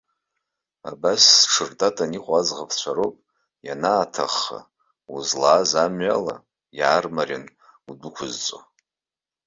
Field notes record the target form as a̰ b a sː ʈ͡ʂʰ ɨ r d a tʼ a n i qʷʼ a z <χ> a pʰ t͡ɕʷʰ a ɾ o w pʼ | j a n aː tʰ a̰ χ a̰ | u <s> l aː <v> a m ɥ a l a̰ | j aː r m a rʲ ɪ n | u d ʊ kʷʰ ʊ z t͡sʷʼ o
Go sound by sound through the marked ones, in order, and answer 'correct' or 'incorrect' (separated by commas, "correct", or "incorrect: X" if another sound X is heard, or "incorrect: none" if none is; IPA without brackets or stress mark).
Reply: incorrect: ʁ, incorrect: z, incorrect: z